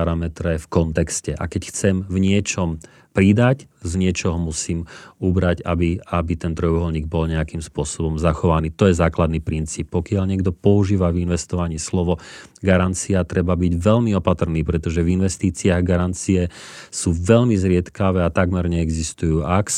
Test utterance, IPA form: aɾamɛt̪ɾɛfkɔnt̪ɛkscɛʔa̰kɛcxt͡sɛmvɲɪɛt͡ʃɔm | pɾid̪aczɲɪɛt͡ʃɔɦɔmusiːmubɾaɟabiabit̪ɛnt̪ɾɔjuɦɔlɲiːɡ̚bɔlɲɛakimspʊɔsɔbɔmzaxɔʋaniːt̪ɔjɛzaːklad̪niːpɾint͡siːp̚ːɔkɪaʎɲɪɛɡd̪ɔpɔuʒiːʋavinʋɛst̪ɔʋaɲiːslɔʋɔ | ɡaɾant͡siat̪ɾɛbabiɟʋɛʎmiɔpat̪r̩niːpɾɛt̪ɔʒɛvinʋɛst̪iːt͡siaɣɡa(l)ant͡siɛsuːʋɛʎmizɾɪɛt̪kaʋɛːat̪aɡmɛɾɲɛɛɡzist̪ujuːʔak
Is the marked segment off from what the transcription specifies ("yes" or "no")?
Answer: yes